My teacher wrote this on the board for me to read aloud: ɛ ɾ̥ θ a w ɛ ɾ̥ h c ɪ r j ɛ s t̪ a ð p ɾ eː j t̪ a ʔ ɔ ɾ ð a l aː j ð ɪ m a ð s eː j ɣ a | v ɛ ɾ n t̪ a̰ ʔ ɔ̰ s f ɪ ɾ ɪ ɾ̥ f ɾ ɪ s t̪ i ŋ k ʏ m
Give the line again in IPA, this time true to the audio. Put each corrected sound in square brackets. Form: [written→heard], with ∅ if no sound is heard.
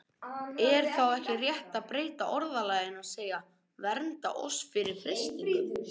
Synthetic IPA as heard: ɛ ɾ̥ θ a w ɛ [ɾ̥→∅] h c ɪ r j ɛ [s→h] t̪ a ð p ɾ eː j t̪ a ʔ ɔ ɾ ð a l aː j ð ɪ [m→n] a ð s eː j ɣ a | v ɛ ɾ n t̪ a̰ ʔ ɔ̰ s f ɪ ɾ ɪ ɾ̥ f ɾ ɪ s t̪ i ŋ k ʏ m